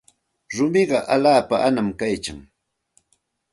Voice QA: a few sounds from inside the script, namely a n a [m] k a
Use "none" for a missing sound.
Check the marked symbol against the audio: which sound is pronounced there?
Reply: m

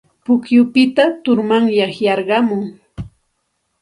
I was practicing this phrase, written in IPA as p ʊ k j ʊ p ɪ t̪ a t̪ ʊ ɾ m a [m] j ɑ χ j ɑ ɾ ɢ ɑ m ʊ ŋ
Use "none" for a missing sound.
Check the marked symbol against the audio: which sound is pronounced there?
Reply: ŋ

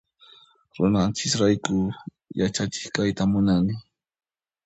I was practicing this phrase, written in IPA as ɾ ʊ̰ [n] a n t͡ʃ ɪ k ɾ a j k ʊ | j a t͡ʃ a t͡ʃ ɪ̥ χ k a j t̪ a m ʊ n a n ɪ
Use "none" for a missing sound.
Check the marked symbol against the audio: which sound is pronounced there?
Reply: n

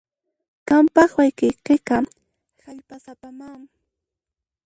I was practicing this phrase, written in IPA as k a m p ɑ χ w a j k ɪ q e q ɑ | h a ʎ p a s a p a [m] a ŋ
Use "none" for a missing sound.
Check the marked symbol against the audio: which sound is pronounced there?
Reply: m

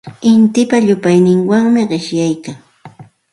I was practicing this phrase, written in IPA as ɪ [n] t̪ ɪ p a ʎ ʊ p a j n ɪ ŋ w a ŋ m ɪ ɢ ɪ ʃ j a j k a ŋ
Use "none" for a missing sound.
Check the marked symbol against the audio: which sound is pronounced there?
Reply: n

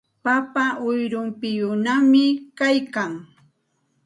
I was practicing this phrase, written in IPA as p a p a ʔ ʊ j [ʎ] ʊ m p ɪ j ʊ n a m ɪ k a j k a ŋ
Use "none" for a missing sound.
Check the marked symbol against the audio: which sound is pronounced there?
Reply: ɾ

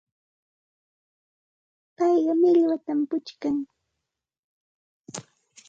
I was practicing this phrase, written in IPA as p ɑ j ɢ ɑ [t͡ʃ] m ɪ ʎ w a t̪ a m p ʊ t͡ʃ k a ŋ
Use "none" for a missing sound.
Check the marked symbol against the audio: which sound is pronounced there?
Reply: none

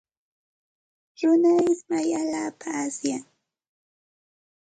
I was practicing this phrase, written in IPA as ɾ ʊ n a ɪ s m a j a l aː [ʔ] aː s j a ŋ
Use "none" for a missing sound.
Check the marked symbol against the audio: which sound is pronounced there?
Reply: p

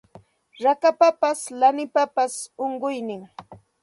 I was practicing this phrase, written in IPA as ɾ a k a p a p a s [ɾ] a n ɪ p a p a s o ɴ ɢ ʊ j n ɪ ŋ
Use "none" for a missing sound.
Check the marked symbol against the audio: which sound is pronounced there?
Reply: l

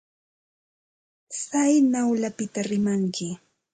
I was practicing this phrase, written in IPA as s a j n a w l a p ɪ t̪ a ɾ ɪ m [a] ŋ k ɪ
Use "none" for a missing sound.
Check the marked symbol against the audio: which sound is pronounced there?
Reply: a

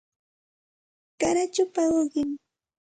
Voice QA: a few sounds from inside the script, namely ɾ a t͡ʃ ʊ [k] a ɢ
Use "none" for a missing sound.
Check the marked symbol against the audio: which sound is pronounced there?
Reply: p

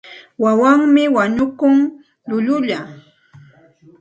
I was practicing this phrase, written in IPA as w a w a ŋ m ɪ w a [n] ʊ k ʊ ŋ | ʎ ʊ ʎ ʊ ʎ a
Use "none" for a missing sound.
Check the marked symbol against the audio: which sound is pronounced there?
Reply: ɲ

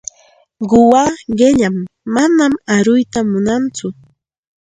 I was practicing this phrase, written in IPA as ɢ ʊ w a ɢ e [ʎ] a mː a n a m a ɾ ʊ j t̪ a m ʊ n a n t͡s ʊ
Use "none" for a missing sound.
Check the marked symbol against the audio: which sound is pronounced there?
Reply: ʎ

